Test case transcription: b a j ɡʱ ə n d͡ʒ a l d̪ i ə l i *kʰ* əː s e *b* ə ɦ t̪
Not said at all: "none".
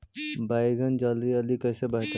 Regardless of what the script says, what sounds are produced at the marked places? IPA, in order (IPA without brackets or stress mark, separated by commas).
k, b